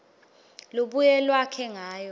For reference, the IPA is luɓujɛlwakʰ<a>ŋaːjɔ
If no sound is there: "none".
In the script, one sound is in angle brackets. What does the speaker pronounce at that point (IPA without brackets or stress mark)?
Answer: ɛ